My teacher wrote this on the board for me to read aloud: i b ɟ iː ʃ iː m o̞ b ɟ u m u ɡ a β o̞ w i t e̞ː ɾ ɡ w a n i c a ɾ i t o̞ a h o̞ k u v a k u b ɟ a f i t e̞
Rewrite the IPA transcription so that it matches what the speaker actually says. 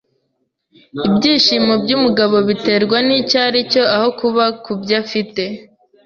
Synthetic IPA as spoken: i b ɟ iː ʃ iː m o̞ b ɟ u m u ɡ a β o̞ β i t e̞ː ɾ ɡ w a n i c a ɾ i c o̞ a h o̞ k u β a k u b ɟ a f i t e̞

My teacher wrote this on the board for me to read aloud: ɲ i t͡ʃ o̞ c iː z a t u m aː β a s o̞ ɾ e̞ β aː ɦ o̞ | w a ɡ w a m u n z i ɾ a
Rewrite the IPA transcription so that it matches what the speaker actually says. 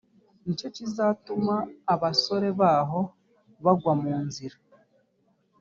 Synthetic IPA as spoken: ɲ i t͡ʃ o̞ c i z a t u m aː β a s o̞ ɾ e̞ β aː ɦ o̞ | β a ɡ w a m uː n z i ɾ a

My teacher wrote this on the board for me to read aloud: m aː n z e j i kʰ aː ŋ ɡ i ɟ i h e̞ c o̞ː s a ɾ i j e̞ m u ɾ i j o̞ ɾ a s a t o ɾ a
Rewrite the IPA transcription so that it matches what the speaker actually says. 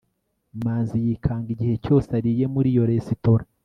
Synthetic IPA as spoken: m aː n z i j i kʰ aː ŋ ɡ i ɟ i h e̞ c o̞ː s a ɾ i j e̞ m u ɾ i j o̞ ɾ e s i t o ɾ a

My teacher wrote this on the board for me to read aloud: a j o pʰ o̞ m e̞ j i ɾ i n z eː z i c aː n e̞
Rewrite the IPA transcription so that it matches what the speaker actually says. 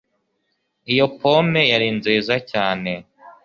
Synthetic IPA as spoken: i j o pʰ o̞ m e̞ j a ɾ i n z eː z a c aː n e̞

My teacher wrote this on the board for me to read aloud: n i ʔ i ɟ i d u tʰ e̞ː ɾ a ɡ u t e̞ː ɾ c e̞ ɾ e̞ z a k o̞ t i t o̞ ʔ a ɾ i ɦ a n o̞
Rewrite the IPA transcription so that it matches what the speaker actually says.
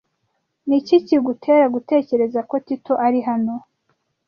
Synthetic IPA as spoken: n i c i c i ɡ u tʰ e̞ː ɾ a ɡ u t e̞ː c e̞ ɾ e̞ z a k o̞ t i t o̞ ʔ a ɾ i ɦ a n o̞

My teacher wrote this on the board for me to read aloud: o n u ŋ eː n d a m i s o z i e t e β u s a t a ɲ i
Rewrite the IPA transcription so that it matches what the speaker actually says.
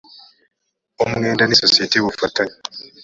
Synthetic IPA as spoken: o m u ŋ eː n d a n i s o s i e t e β u f a t a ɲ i

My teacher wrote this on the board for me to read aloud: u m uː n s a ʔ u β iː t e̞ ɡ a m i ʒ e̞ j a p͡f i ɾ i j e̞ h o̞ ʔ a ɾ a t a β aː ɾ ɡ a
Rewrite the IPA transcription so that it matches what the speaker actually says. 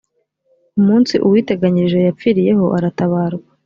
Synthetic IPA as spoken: u m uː n s i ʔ u w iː t e̞ ɡ a ɲ i ʒ e̞ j a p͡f i ɾ i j e̞ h o̞ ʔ a ɾ a t a β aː ɾ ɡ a

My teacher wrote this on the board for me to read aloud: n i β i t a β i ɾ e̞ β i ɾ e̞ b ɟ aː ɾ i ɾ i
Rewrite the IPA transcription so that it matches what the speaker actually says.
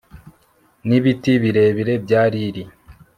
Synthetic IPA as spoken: n i β i t i β i ɾ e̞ β i ɾ e̞ b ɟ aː ɾ i ɾ i

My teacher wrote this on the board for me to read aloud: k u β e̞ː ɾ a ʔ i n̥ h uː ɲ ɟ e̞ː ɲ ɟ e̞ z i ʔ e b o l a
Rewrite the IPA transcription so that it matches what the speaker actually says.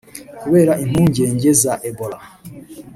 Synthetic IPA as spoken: k u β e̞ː ɾ a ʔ i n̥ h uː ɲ ɟ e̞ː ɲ ɟ e̞ z a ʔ e b o l a

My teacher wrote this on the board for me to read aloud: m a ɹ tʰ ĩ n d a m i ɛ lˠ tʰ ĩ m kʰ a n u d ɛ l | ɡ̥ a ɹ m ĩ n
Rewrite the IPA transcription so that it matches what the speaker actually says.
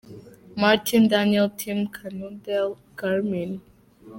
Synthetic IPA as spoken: m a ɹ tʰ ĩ n d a n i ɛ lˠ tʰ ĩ m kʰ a n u d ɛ l | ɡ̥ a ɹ m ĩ n

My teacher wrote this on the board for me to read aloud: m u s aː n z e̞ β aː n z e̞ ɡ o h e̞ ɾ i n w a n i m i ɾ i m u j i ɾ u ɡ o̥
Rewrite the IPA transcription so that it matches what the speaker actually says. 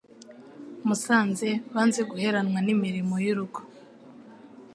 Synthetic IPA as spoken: m u s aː n z e̞ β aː n z e̞ ɡ u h e̞ ɾ a n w a n i m i ɾ i m o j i ɾ u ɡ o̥

